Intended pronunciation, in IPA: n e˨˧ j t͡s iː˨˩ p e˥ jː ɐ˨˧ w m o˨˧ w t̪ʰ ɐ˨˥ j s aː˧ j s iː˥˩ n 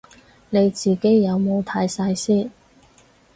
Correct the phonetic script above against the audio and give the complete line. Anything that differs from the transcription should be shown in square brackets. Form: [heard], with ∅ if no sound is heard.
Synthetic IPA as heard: n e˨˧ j t͡s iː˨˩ [k] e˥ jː ɐ˨˧ w m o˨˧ w t̪ʰ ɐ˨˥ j s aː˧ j s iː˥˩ n